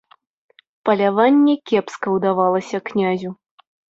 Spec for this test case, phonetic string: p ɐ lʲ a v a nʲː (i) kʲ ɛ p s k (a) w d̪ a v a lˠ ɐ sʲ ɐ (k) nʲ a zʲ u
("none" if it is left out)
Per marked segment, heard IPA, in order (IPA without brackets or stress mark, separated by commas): ɛ, ɐ, k